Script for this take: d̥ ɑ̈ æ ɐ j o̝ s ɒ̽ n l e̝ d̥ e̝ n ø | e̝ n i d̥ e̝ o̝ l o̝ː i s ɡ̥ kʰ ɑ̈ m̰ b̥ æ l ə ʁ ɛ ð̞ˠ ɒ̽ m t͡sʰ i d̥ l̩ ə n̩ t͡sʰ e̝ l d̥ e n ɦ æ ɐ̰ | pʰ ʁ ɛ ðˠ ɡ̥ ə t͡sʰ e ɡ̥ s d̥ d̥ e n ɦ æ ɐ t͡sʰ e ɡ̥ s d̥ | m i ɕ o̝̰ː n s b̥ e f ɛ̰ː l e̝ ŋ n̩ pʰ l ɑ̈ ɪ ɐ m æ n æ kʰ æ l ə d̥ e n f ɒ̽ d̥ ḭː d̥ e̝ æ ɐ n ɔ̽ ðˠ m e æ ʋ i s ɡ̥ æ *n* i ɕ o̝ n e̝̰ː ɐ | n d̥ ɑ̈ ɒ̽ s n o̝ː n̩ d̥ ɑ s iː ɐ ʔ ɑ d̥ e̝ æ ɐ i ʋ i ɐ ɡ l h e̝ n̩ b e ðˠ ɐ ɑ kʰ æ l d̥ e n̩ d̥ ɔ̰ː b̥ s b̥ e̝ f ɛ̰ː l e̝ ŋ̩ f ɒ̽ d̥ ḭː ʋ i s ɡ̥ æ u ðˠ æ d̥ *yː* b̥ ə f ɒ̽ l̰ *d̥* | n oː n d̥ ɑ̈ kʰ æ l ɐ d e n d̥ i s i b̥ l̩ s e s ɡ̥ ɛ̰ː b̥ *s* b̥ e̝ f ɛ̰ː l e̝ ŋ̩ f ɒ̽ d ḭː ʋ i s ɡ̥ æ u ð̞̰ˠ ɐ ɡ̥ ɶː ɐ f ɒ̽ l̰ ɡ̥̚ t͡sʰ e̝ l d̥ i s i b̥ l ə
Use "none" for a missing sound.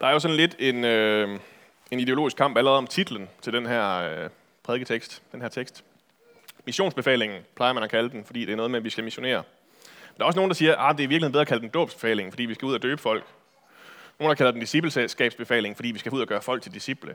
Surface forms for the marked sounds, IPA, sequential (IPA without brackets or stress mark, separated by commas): m, øː, ɡ̥, s